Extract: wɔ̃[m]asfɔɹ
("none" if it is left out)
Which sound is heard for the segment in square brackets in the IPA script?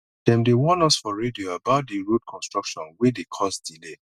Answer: n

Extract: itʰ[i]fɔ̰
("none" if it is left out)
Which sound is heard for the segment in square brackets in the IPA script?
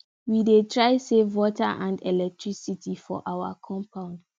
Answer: i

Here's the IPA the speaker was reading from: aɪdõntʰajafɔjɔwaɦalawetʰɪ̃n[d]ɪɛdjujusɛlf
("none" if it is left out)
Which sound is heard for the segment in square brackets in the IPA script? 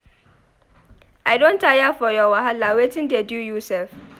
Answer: d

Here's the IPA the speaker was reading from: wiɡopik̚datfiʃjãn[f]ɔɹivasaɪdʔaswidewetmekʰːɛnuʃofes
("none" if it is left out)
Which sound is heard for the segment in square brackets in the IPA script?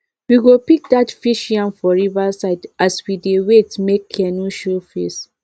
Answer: f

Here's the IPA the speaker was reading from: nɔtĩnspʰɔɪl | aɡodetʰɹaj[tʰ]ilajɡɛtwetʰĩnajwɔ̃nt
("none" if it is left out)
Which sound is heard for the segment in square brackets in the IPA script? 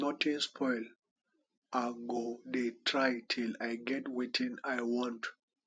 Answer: tʰ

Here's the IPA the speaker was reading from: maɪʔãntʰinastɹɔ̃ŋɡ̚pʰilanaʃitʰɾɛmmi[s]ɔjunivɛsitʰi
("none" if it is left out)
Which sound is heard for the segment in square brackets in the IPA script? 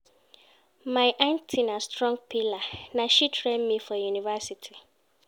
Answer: f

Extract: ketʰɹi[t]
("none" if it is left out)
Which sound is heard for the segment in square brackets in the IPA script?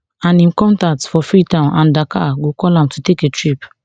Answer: p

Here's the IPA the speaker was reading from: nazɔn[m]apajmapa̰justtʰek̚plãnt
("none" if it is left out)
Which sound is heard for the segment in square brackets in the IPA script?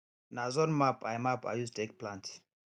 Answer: m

